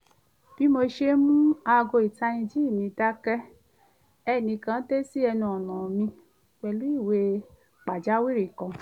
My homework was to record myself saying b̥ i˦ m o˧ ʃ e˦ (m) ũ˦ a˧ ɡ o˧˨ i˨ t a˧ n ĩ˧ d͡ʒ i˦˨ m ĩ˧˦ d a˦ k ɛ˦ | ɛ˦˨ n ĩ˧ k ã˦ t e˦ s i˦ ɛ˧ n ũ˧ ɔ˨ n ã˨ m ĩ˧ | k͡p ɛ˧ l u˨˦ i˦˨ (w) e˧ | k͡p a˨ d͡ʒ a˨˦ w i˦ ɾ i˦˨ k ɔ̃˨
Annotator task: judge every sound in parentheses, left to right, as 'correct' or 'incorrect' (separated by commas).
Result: correct, correct